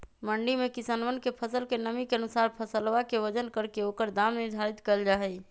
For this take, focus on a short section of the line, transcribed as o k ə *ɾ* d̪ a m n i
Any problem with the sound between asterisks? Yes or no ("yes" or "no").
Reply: no